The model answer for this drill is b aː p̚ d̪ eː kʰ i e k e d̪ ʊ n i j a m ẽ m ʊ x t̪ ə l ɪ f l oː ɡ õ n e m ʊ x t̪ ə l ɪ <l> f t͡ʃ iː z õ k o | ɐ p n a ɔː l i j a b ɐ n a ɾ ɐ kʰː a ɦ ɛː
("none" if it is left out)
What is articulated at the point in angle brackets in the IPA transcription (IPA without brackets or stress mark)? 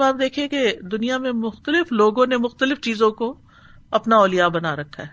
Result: none